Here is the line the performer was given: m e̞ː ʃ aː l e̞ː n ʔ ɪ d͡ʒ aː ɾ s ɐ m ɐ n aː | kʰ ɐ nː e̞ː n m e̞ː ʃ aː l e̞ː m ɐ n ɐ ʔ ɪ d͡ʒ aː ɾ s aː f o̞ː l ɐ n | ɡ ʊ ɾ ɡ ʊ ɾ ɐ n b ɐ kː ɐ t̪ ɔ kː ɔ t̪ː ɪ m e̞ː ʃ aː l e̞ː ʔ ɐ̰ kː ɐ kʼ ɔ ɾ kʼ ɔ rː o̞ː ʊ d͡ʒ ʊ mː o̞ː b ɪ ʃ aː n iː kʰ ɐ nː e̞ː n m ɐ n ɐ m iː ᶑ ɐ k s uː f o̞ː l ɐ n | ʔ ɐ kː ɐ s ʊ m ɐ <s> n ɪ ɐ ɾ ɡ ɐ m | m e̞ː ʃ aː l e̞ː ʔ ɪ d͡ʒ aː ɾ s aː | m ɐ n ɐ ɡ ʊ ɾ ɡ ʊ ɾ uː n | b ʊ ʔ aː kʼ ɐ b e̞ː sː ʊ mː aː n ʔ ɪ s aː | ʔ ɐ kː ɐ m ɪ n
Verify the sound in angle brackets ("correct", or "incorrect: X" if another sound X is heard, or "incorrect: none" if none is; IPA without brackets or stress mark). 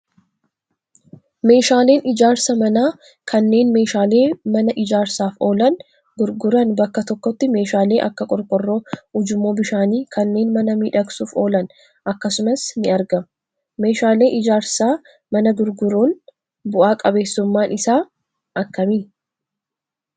correct